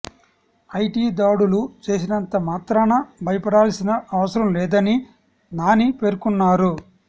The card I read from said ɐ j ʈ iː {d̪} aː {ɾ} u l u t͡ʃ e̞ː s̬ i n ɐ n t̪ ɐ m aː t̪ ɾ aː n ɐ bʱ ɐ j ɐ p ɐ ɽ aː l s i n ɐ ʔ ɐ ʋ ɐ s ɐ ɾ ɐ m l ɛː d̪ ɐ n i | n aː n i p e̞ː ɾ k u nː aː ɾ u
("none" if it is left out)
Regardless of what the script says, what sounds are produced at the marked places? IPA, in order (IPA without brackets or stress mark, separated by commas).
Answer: d̪, ɽ